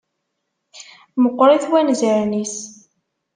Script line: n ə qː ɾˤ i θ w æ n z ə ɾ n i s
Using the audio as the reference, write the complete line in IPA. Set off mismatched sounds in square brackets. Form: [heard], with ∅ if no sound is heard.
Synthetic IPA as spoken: [m] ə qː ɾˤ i θ w æ n z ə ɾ n i s